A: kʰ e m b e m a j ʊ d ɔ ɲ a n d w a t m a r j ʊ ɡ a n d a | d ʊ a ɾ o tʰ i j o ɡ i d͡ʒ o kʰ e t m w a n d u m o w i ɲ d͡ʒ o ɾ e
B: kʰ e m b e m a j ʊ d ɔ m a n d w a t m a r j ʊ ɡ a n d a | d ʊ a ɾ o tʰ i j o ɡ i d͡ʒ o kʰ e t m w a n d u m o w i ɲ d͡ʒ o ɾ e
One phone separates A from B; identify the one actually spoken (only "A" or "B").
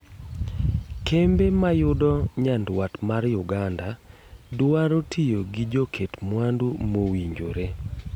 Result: A